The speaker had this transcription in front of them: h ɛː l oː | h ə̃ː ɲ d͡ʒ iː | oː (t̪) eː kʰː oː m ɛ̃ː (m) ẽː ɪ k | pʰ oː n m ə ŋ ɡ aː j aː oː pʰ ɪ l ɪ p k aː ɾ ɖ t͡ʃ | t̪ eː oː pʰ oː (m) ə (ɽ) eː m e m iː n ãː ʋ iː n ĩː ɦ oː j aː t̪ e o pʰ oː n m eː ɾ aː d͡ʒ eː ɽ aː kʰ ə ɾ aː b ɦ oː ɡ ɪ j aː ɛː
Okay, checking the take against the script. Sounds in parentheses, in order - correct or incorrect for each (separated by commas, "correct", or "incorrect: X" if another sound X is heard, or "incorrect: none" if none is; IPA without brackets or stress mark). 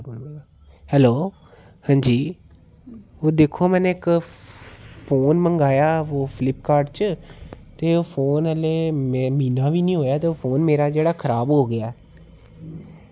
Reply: incorrect: d̪, incorrect: n, incorrect: n, incorrect: l